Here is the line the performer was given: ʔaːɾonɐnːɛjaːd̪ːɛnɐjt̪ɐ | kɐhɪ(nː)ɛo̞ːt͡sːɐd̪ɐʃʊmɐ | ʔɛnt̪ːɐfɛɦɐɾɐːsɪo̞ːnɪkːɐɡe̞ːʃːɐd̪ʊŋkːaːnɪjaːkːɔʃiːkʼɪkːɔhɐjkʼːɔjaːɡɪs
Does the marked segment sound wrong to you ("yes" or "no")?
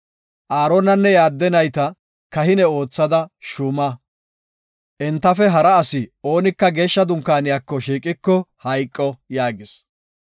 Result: yes